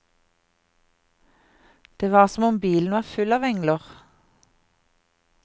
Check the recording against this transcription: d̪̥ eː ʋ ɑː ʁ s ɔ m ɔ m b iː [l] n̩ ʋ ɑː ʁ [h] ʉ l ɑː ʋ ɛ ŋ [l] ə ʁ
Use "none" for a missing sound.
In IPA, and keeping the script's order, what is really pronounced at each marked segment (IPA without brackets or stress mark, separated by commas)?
l, f, l